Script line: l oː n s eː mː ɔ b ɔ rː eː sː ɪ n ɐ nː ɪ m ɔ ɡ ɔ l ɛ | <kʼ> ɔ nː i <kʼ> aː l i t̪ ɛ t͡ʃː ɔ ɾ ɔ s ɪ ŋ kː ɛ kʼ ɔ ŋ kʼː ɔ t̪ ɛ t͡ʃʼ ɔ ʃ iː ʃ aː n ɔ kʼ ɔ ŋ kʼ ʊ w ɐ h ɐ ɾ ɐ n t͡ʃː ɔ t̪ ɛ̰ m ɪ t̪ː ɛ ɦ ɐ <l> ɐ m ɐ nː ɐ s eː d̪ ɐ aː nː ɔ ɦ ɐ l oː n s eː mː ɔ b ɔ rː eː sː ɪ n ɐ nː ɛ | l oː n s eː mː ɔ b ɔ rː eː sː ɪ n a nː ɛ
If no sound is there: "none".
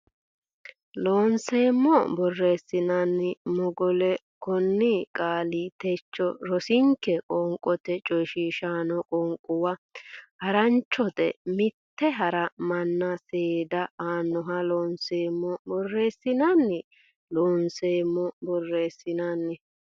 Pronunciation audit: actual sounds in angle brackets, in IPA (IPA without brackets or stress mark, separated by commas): k, kʼ, ɾ